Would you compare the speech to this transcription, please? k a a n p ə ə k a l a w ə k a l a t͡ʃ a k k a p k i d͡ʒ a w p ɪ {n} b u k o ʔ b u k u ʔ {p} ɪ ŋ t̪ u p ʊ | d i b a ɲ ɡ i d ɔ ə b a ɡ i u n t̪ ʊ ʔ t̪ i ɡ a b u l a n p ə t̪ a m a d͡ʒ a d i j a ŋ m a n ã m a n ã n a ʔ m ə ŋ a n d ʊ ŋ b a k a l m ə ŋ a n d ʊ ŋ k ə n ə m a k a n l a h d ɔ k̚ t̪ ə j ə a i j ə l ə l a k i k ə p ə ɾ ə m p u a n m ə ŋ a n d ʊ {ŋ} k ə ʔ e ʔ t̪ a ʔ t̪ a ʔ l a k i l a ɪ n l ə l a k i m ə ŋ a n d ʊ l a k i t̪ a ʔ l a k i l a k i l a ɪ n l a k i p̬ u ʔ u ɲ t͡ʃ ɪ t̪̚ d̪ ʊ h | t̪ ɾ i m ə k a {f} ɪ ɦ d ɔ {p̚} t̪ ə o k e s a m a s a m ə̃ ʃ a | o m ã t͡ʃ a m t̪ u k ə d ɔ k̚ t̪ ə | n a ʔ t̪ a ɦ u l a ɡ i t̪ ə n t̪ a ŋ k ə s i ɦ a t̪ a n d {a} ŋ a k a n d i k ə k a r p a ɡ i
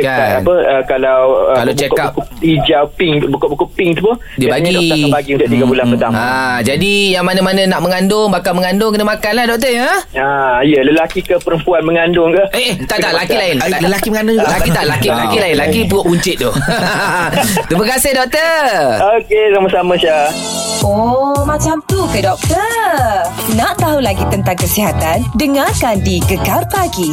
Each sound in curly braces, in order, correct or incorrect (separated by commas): incorrect, correct, correct, incorrect, incorrect, incorrect